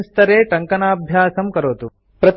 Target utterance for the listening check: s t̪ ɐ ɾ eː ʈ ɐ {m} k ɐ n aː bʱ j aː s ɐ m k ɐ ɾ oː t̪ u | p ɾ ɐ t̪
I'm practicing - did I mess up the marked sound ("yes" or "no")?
yes